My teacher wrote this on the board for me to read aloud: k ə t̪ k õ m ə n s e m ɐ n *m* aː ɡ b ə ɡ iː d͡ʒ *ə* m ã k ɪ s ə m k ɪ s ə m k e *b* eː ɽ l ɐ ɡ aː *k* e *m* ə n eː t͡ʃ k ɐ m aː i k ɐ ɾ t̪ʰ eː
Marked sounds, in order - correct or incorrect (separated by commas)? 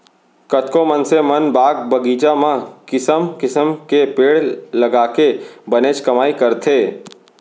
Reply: incorrect, incorrect, incorrect, correct, incorrect